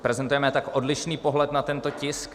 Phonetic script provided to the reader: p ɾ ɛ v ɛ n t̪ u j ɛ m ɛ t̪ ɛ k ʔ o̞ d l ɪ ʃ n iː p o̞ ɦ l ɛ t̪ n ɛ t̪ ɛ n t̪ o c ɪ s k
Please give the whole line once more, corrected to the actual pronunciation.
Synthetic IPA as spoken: p ɾ ɛ z ɛ n t̪ u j ɛ m ɛ t̪ a k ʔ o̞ d l ɪ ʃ n iː p o̞ ɦ l ɛ t̪ n a t̪ ɛ n t̪ o c ɪ s k